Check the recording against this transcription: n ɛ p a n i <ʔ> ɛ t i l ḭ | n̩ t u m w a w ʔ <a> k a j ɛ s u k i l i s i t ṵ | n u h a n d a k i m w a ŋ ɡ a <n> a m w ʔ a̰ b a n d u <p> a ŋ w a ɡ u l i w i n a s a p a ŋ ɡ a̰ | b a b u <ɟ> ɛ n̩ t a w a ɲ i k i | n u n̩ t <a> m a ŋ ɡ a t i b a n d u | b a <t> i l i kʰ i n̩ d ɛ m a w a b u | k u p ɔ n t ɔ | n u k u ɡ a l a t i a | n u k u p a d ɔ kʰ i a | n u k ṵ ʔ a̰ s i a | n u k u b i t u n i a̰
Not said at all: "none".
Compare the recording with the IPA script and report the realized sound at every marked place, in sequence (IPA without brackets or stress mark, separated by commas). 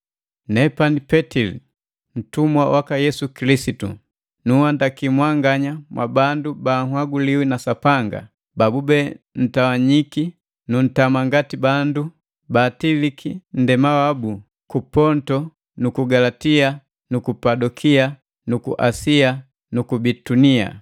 p, a, ɲ, b, b, a, t